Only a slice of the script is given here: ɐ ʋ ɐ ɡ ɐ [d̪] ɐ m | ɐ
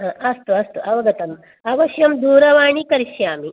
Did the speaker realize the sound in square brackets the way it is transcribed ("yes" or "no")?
no